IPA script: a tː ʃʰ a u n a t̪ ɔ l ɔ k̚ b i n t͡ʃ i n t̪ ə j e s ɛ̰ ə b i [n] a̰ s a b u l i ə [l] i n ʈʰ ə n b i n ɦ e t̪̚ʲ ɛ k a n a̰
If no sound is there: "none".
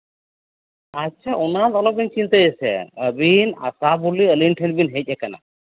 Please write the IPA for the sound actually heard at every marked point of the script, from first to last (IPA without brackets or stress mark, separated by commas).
n, l